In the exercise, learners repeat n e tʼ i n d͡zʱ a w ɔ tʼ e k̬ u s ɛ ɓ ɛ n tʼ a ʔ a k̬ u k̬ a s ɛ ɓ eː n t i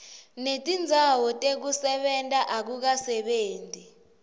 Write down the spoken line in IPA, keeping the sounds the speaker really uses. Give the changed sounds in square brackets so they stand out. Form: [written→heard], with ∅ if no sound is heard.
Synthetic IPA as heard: n e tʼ i n d͡zʱ a w ɔ tʼ e k̬ u s ɛ ɓ ɛ n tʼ a ʔ a k̬ u k̬ a s ɛ ɓ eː n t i